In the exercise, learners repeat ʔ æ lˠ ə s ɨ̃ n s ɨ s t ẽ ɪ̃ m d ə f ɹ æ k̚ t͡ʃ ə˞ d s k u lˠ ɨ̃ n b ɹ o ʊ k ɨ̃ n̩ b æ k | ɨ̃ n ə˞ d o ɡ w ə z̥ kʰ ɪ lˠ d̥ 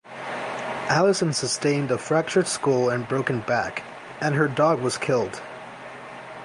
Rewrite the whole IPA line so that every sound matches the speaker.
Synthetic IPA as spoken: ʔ æ lˠ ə s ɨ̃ n s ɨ s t ẽ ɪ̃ n d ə f ɹ æ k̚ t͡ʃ ə˞ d s k u lˠ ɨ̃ n b ɹ o ʊ k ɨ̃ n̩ b æ k | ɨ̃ n ə˞ d ɔ ɡ w ʌ z̥ kʰ ɪ lˠ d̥